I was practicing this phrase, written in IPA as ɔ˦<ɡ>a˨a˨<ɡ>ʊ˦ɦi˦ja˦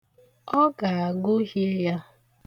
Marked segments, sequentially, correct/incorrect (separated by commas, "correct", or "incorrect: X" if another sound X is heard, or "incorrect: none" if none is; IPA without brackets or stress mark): correct, correct